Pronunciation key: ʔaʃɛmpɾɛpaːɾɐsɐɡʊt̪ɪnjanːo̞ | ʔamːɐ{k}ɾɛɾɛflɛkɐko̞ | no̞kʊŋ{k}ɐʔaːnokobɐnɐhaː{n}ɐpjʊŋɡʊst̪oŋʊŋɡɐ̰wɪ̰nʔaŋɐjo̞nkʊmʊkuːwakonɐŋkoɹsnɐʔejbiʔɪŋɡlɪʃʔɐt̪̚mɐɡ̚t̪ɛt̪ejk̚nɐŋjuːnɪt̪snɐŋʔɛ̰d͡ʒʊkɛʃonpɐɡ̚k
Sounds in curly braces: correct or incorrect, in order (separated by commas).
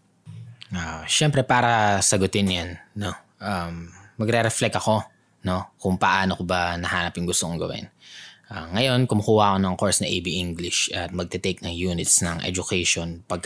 incorrect, incorrect, correct